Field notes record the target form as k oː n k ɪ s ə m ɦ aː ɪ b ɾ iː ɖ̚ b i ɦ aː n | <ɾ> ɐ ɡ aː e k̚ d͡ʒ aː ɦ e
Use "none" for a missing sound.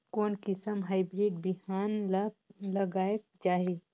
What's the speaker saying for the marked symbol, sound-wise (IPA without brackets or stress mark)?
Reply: l